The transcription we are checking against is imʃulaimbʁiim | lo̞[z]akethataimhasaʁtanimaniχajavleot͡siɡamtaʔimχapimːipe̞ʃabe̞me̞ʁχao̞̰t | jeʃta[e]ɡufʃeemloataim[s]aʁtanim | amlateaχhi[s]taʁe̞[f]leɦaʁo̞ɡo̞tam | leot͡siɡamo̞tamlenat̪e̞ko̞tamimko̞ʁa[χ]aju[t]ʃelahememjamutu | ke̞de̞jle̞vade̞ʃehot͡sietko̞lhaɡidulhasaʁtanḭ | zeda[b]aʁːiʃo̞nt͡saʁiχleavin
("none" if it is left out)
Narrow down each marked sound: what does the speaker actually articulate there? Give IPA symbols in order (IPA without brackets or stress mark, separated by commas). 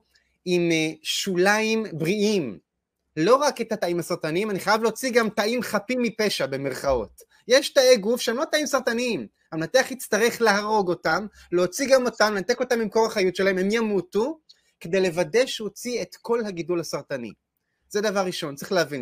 ʁ, e, s, t͡s, χ, χ, t, v